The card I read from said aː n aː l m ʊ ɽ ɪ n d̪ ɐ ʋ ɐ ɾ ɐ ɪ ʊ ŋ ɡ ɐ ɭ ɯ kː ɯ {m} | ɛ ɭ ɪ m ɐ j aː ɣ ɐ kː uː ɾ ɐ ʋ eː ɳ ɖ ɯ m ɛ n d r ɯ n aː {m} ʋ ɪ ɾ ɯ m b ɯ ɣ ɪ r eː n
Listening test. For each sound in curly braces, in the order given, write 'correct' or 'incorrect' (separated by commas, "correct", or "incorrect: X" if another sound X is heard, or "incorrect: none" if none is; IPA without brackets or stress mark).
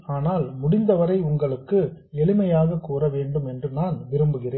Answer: incorrect: none, incorrect: n